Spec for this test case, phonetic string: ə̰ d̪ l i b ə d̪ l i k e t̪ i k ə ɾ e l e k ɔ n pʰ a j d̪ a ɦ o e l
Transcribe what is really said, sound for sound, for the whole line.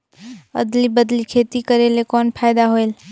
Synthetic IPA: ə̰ d̪ l i b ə d̪ l i kʰ e t̪ i k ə ɾ e l e k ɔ n pʰ a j d̪ a ɦ o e l